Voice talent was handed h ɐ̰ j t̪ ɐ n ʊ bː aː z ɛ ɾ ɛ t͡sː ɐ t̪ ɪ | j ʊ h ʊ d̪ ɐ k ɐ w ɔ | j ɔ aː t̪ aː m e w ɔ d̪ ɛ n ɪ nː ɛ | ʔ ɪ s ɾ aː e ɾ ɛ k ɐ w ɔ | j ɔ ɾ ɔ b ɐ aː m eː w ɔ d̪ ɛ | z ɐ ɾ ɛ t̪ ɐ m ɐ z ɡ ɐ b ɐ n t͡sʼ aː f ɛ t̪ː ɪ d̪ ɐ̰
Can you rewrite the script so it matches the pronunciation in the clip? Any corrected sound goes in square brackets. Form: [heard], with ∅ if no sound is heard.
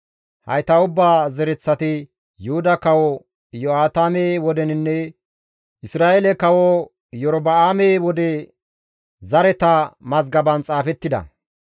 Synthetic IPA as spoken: h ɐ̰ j t̪ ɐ [∅] ʊ bː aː z ɛ ɾ ɛ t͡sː ɐ t̪ ɪ | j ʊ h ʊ d̪ ɐ k ɐ w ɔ | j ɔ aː t̪ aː m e w ɔ d̪ ɛ n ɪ nː ɛ | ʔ ɪ s ɾ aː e [l] ɛ k ɐ w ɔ | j ɔ ɾ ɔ b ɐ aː m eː w ɔ d̪ ɛ | z ɐ ɾ ɛ t̪ ɐ m ɐ z ɡ ɐ b ɐ n t͡sʼ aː f ɛ t̪ː ɪ d̪ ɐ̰